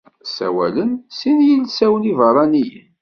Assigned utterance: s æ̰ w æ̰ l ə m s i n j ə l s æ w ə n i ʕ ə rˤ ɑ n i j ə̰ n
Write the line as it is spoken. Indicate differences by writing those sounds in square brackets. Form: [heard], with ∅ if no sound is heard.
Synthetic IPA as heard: s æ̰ w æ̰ l ə [n] s i n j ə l s æ w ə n i [v] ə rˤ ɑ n i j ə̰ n